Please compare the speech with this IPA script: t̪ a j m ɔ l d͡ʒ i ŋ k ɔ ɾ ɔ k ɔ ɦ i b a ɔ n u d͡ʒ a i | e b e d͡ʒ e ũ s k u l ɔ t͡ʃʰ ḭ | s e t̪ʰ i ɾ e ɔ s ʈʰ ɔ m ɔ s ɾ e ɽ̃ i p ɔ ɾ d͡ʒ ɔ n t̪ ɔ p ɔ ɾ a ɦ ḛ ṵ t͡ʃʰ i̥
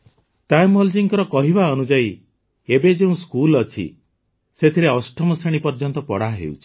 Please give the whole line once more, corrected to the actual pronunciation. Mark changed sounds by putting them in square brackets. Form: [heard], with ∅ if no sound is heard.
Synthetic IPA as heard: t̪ a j m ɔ l d͡ʒ i ŋ k ɔ ɾ ɔ k ɔ ɦ i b a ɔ n u d͡ʒ a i | e b e d͡ʒ e ũ s k u l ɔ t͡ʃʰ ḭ | s e t̪ʰ i ɾ e ɔ s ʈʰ ɔ m ɔ s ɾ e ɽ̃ i p ɔ ɾ d͡ʒ ɔ n t̪ ɔ p ɔ [ɽ] a ɦ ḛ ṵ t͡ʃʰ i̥

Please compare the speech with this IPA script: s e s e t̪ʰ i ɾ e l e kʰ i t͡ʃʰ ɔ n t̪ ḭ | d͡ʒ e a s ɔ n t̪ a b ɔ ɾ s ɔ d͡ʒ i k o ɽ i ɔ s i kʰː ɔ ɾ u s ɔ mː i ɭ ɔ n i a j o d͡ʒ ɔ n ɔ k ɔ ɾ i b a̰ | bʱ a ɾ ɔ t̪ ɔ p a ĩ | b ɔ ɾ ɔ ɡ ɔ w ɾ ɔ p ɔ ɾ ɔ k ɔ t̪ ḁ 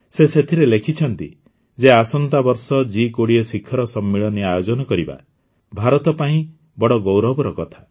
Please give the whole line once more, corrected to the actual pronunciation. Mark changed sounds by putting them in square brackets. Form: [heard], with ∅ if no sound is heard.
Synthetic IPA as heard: s e s e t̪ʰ i ɾ e l e kʰ i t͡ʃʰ ɔ n t̪ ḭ | d͡ʒ e a s ɔ n t̪ a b ɔ ɾ s ɔ d͡ʒ i k o ɽ i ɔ s i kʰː ɔ ɾ [ɔ] s ɔ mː i ɭ ɔ n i a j o d͡ʒ ɔ n ɔ k ɔ ɾ i b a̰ | bʱ a ɾ ɔ t̪ ɔ p a ĩ | b ɔ [ɽ] ɔ ɡ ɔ w ɾ ɔ [b] ɔ ɾ ɔ k ɔ [t̪ʰ] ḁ

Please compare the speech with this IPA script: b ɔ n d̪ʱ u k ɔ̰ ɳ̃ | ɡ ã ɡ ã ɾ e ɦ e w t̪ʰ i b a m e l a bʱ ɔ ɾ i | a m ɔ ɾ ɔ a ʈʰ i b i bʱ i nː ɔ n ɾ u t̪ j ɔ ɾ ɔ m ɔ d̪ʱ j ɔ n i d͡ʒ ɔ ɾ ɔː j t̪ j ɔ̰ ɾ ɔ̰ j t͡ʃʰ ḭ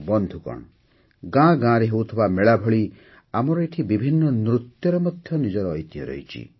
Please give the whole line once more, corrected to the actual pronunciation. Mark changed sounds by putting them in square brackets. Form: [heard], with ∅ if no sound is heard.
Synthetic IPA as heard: b ɔ n d̪ʱ u k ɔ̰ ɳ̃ | ɡ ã ɡ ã ɾ e ɦ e w t̪ʰ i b a m e [ɭ] a bʱ ɔ [ɭ] i | a m ɔ ɾ ɔ [e] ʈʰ i b i bʱ i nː ɔ n ɾ u t̪ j ɔ ɾ ɔ m ɔ d̪ʱ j ɔ n i d͡ʒ ɔ ɾ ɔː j t̪ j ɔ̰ ɾ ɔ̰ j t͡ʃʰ ḭ

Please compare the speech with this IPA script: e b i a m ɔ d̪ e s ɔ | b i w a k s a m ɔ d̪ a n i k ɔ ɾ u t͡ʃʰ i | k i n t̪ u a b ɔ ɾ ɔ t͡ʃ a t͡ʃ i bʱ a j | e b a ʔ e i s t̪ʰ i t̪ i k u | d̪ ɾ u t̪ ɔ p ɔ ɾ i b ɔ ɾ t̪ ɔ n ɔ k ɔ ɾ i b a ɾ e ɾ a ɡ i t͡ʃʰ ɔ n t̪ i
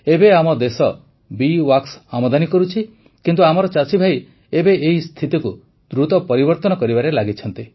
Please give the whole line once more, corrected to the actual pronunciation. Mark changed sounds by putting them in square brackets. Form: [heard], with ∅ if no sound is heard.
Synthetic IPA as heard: e b [e] a m ɔ d̪ e s ɔ | b i w a k s a m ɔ d̪ a n i k ɔ ɾ u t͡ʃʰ i | k i n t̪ u a [m] ɔ ɾ ɔ t͡ʃ a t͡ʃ i bʱ a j | e b [e] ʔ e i s t̪ʰ i t̪ i k u | d̪ ɾ u t̪ ɔ p ɔ ɾ i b ɔ ɾ t̪ ɔ n ɔ k ɔ ɾ i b a ɾ e [l] a ɡ i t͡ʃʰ ɔ n t̪ i

